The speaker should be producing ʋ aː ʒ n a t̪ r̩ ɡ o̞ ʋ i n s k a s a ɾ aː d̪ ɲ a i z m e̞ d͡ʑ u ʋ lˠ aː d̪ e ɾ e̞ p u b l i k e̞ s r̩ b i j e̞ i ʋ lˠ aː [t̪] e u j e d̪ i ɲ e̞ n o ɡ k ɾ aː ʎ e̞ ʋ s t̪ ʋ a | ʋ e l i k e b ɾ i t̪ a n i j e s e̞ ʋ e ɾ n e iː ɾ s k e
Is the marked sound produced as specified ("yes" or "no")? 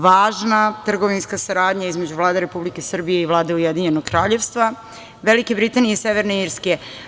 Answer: no